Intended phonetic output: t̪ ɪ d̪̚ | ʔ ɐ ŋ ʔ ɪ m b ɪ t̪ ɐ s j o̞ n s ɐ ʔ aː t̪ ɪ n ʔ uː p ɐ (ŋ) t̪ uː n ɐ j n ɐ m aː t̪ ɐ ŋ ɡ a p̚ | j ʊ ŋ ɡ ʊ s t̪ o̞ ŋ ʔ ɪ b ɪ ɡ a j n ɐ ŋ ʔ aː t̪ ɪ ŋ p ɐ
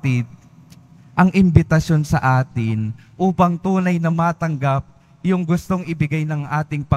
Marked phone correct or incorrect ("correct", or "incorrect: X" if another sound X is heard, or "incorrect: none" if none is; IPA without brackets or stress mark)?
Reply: correct